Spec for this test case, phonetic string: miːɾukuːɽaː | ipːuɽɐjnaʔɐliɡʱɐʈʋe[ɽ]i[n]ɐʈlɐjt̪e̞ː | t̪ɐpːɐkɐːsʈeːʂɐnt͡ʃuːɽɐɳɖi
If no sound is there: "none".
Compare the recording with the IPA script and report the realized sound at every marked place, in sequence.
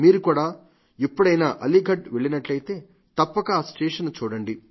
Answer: ɭ, n

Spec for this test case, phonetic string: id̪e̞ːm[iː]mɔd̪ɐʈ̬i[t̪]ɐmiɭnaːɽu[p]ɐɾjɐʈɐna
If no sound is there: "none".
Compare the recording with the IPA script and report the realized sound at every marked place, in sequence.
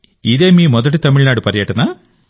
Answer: iː, t̪, p

